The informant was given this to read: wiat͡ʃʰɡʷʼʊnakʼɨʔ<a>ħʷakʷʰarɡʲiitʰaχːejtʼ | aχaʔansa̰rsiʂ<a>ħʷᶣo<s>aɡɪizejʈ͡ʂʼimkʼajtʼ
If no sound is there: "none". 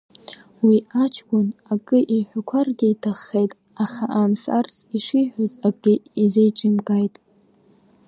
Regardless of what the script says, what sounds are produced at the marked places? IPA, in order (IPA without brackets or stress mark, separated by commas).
i, i, z